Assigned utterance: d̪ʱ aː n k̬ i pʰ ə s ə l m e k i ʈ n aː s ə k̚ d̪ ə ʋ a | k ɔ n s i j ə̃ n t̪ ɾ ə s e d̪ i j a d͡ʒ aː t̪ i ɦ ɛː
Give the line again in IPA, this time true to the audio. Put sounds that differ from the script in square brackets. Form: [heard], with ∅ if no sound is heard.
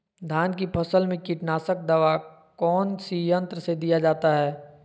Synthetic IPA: d̪ʱ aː n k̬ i pʰ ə s ə l m [ẽ] k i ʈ n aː s ə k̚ d̪ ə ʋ a | k [ɔː] n s i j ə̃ n t̪ ɾ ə s e d̪ i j a d͡ʒ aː t̪ [a] ɦ ɛː